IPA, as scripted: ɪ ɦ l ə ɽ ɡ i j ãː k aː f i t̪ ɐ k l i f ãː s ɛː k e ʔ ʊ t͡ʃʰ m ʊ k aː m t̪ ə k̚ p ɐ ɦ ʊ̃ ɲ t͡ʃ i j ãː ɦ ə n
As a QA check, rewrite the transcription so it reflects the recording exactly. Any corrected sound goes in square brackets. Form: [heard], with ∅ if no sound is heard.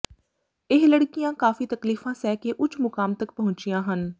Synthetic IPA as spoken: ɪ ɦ l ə ɽ [k] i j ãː k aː f i t̪ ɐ k l [iː] f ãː s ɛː k e ʔ ʊ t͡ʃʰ m ʊ k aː m t̪ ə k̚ p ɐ ɦ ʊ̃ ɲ t͡ʃ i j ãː ɦ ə n